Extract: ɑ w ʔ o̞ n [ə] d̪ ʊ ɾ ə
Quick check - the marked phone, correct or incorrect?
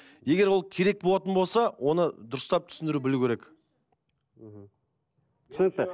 correct